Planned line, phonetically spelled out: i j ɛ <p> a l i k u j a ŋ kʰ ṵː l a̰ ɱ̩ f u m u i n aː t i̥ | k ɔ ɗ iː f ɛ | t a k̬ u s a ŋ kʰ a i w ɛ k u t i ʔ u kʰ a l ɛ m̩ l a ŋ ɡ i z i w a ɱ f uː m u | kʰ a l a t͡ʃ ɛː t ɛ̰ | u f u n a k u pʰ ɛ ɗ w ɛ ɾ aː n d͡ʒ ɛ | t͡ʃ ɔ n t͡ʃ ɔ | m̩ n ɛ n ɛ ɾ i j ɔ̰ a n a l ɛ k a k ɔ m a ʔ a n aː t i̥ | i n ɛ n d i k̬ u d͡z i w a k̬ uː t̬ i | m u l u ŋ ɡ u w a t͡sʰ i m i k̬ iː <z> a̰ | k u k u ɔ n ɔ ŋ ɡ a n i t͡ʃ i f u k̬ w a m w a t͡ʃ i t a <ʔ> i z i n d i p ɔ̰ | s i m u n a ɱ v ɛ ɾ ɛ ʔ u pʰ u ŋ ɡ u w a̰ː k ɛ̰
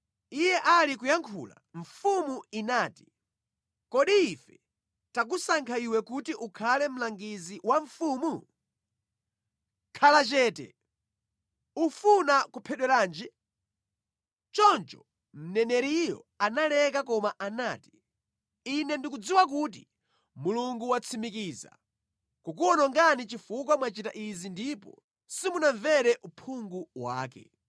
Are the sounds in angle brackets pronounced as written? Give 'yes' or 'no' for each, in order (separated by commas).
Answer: no, yes, yes